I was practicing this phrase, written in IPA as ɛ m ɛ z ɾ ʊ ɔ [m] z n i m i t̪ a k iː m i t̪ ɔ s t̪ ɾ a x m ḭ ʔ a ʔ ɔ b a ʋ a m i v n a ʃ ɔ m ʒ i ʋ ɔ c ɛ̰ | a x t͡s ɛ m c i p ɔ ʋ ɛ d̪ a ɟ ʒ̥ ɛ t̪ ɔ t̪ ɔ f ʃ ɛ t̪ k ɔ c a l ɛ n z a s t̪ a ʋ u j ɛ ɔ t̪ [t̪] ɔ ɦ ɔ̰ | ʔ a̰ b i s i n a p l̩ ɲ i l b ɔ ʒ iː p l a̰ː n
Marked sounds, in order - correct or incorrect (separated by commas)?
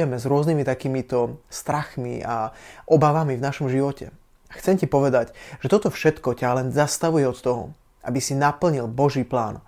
incorrect, correct